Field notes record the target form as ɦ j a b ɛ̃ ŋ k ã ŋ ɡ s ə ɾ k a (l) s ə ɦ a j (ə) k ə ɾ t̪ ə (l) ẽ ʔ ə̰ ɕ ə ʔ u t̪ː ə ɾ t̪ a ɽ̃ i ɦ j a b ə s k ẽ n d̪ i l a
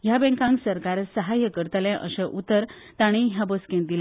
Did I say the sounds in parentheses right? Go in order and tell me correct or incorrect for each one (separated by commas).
incorrect, correct, correct